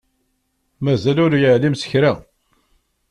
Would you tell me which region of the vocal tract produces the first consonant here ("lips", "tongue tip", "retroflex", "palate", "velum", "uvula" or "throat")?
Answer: lips